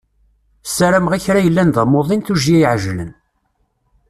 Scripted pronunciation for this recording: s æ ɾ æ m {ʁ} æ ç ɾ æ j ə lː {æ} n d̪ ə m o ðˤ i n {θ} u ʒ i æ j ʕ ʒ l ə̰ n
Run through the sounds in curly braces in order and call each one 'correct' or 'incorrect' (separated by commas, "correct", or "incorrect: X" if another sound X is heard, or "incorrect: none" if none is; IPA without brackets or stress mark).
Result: correct, correct, correct